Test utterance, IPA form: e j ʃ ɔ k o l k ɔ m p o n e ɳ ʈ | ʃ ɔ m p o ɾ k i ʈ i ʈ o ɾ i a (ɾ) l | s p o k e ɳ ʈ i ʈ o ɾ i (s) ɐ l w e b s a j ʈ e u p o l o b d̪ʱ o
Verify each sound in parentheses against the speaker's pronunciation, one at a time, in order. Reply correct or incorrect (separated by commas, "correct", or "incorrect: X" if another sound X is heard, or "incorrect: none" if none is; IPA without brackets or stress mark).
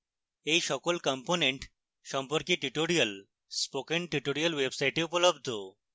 incorrect: none, incorrect: none